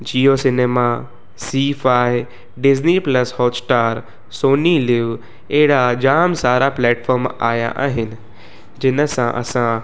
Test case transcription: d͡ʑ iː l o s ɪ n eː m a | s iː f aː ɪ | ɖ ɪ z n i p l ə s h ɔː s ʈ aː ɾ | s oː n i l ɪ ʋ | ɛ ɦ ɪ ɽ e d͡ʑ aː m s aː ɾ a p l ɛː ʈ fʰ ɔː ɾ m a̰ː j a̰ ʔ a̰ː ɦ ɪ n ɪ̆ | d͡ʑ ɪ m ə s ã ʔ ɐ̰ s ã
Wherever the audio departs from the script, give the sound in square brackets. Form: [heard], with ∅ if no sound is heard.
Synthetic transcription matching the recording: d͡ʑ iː [∅] o s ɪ n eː m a | s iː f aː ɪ | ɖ ɪ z n i p l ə s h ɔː s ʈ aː ɾ | s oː n i l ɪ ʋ | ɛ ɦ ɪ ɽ [a] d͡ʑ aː m s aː ɾ a p l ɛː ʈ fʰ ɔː ɾ m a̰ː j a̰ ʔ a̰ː ɦ ɪ n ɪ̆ | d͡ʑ ɪ [n] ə s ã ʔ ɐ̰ s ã